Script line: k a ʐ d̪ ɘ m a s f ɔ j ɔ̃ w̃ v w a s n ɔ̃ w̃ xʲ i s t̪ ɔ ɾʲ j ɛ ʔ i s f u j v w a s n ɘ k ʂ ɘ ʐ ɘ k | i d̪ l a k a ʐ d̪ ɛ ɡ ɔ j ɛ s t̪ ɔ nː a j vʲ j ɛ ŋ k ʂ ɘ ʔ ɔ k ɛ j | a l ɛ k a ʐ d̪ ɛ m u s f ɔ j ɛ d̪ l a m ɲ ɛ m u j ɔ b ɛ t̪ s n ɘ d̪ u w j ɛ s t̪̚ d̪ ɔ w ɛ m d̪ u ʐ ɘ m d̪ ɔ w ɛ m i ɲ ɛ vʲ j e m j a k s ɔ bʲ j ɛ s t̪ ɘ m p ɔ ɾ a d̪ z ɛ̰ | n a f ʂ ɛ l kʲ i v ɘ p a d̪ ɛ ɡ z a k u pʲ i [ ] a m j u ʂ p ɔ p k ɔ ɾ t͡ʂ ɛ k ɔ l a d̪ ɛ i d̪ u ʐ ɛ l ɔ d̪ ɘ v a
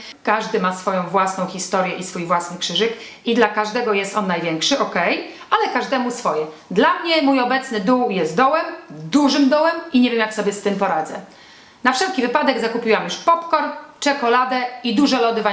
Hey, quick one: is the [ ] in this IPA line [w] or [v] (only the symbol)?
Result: w